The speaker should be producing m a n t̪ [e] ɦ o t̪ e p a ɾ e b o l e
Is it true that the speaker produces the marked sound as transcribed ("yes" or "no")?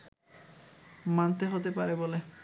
yes